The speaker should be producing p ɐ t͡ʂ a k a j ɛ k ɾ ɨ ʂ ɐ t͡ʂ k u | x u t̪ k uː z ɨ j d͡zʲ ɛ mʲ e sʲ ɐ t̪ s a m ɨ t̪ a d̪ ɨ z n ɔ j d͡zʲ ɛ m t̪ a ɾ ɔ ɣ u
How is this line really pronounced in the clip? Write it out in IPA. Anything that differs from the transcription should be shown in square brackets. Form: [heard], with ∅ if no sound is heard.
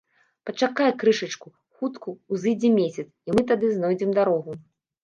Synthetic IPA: p ɐ t͡ʂ a k a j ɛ k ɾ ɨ ʂ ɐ t͡ʂ k u | x u t̪ k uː z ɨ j d͡zʲ ɛ mʲ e sʲ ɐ t̪ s [i] m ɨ t̪ a d̪ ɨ z n ɔ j d͡zʲ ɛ m [d̪] a ɾ ɔ ɣ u

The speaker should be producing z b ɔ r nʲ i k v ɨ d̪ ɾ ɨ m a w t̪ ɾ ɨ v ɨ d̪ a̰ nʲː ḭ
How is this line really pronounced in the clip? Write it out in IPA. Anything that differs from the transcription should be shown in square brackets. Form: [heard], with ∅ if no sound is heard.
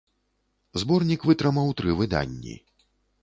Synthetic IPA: z b ɔ r nʲ i k v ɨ [t̪] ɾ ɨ m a w t̪ ɾ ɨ v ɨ d̪ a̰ nʲː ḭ

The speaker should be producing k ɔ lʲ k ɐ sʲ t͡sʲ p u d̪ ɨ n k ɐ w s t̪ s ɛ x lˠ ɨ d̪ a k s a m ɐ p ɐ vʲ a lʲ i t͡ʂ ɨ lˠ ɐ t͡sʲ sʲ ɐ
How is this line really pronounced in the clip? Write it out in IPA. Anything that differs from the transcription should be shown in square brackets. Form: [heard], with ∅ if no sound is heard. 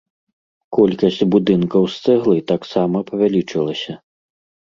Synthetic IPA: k ɔ lʲ k ɐ sʲ t͡sʲ [b] u d̪ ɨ n k ɐ w s t̪ s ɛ [ɣ] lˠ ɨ [t̪] a k s a m ɐ p ɐ vʲ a lʲ i t͡ʂ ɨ lˠ ɐ [∅] sʲ ɐ

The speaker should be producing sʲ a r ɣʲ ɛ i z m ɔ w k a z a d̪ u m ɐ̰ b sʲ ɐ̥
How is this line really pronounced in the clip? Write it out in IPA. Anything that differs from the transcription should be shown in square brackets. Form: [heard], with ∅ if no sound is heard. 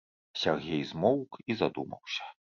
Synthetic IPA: sʲ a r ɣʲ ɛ [j] z m ɔ w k [i] z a d̪ u m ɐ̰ [w] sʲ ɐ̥

